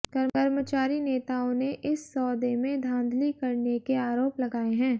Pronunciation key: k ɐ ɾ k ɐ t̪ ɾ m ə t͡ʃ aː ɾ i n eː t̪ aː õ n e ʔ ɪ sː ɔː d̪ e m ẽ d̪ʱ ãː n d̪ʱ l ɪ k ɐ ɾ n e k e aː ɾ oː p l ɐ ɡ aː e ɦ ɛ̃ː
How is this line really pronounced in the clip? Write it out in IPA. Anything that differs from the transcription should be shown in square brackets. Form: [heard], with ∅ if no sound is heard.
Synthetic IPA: k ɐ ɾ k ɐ [∅] ɾ m ə t͡ʃ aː ɾ i n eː t̪ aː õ n e ʔ ɪ sː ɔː d̪ e m ẽ d̪ʱ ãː n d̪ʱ l [i] k ɐ ɾ n e k e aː ɾ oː p l ɐ ɡ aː e ɦ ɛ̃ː